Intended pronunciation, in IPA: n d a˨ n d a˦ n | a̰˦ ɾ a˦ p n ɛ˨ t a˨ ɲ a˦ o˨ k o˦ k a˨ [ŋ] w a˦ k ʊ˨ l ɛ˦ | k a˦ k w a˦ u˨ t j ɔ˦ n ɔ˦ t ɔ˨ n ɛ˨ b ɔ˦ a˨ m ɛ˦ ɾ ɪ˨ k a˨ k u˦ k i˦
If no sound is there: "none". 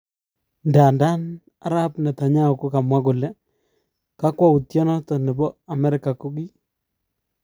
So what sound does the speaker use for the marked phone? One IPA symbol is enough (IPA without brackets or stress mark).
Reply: m